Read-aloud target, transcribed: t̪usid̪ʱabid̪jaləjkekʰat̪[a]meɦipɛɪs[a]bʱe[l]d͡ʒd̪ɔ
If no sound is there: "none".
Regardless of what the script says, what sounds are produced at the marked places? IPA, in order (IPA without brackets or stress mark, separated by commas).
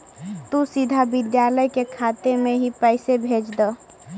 e, e, none